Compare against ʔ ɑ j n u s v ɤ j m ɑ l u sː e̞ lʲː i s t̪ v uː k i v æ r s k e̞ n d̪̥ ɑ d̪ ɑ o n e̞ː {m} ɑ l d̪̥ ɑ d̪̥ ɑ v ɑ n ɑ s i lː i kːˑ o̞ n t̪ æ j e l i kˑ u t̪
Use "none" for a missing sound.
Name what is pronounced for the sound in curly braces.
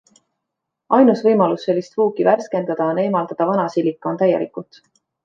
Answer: m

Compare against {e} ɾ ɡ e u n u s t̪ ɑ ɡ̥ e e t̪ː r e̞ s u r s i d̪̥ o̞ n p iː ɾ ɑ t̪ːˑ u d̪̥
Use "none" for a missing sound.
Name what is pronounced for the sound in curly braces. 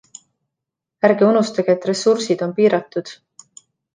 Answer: æ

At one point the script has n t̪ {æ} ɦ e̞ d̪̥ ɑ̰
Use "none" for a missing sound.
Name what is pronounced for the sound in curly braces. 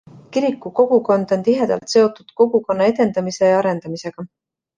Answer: i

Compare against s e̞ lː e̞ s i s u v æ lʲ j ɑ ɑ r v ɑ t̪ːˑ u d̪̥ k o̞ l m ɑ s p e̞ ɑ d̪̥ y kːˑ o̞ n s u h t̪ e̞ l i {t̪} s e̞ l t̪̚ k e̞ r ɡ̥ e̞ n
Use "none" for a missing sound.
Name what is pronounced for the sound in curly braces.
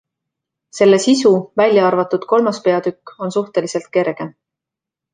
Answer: none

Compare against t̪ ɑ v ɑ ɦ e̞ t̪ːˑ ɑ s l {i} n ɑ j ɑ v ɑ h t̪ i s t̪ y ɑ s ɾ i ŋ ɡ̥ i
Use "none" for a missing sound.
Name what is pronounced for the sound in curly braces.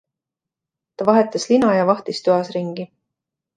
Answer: i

